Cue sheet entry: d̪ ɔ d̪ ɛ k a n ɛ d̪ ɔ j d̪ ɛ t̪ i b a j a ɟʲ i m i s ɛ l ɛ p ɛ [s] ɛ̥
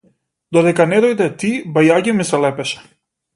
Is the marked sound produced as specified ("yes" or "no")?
no